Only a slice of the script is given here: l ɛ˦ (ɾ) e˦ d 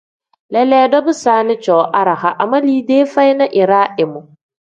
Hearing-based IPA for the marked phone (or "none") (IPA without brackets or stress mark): l